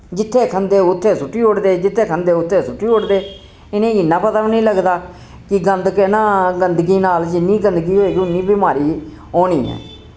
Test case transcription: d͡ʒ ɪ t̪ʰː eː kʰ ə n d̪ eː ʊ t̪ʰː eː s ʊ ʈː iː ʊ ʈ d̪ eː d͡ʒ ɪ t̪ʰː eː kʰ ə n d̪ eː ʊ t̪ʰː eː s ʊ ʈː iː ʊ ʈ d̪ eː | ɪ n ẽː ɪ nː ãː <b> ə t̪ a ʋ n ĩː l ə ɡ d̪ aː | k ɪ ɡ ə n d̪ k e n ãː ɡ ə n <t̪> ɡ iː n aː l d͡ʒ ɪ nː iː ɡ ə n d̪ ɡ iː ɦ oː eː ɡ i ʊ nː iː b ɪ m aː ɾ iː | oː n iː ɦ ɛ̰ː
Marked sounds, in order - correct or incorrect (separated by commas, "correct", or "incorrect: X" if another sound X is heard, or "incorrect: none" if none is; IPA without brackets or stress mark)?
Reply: incorrect: p, incorrect: d̪